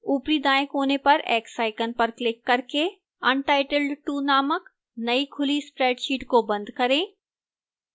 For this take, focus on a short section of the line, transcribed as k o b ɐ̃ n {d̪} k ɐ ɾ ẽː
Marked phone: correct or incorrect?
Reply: correct